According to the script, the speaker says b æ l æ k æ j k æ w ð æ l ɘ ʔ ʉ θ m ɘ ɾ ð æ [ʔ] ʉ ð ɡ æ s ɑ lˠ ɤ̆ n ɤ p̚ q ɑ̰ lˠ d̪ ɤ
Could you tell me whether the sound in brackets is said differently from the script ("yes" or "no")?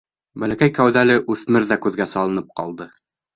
yes